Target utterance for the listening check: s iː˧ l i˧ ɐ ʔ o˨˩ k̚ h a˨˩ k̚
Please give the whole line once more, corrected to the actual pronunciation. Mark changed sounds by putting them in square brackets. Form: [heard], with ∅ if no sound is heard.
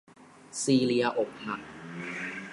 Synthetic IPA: s iː˧ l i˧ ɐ ʔ o˨˩ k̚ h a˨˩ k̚